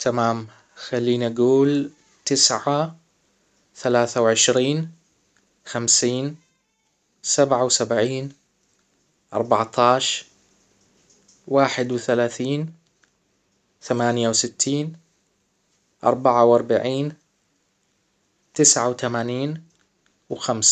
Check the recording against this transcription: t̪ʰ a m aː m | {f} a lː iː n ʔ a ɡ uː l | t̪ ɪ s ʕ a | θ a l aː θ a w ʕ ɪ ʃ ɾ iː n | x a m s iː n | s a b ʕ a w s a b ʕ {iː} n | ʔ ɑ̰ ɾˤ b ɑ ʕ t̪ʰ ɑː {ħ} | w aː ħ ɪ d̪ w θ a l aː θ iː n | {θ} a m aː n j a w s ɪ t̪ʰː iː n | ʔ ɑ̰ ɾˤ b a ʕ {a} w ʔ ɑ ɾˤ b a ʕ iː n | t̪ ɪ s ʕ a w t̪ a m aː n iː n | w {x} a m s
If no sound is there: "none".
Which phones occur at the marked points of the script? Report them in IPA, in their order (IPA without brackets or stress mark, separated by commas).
x, iː, ʃ, θ, a, x